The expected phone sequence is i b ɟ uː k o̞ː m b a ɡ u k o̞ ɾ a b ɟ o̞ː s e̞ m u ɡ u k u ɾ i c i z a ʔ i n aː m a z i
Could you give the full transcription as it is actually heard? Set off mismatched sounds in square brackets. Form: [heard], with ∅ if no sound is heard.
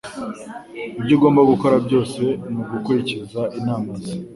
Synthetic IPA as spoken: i b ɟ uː [ɡ] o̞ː m b a ɡ u k o̞ ɾ a b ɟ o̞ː s e̞ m u ɡ u k u ɾ i c i z a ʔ i n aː m a z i